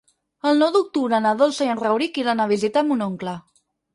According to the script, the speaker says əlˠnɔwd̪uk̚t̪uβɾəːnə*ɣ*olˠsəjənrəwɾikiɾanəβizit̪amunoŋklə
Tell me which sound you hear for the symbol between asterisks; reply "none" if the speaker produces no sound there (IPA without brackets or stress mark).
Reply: ð